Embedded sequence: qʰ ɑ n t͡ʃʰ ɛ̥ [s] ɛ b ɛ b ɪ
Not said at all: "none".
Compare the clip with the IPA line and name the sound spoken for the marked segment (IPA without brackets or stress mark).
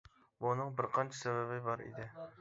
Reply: s